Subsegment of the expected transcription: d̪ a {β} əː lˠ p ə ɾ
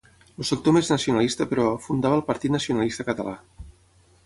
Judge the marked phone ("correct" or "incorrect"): correct